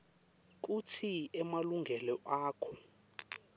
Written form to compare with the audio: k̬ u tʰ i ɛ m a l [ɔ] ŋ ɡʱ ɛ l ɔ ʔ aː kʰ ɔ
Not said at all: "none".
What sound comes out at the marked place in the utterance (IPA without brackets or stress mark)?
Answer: u